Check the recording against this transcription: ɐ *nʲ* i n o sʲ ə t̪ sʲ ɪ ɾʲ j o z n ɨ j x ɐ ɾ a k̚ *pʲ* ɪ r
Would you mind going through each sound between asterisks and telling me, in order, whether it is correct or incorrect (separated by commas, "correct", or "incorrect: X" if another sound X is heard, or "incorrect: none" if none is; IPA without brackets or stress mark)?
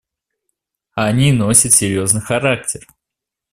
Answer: correct, incorrect: tʲ